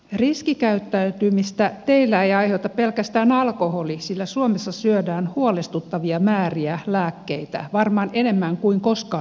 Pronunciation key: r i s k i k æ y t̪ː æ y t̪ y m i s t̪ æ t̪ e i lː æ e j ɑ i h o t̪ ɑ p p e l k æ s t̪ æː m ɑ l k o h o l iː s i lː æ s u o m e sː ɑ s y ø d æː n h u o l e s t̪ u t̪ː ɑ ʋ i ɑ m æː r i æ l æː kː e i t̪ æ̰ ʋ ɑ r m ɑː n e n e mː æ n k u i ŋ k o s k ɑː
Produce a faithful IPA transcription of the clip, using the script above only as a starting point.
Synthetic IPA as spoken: r i s k i k æ y t̪ː æ y t̪ y m i s t̪ æ t̪ e i lː æ e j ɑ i h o t̪ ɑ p p e l k æ s t̪ æː n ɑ l k o h o l i s i lː æ s u o m e sː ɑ s y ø d æː n h u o l e s t̪ u t̪ː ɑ ʋ i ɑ m æː r i æ l æː kː e i t̪ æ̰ ʋ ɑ r m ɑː n e n e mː æ ŋ k u i ŋ k o s k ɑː